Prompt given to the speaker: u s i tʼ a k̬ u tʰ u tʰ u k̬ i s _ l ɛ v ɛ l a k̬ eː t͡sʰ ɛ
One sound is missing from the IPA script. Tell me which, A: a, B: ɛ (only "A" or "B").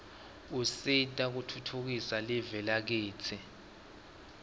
A